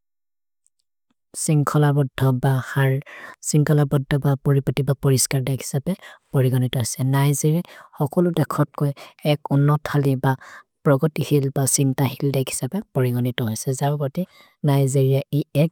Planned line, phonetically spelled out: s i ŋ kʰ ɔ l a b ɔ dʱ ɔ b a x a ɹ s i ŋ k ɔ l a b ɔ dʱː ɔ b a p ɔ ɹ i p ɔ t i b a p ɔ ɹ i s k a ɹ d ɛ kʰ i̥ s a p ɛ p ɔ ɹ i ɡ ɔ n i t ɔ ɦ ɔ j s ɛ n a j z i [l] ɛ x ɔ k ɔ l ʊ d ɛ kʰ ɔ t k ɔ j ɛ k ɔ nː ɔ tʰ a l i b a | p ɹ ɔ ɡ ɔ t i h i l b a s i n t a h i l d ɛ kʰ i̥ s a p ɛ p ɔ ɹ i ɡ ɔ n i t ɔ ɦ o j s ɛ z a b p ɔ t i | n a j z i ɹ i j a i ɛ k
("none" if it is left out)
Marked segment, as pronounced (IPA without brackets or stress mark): ɹ